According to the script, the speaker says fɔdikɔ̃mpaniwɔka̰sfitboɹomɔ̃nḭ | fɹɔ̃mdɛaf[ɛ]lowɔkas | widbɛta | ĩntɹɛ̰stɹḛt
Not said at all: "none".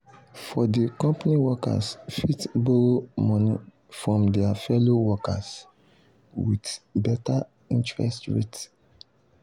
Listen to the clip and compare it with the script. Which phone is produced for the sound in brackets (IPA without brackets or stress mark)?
ɛ